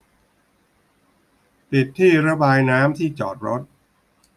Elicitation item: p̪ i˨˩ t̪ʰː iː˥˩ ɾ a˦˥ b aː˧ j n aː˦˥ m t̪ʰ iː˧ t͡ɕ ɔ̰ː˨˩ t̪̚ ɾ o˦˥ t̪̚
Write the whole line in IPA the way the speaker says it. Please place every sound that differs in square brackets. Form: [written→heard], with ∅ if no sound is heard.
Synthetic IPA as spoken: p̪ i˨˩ t̪ʰː iː˥˩ ɾ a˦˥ b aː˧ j n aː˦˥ m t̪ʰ [iː˧→iː˥˩] t͡ɕ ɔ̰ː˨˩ t̪̚ ɾ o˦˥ t̪̚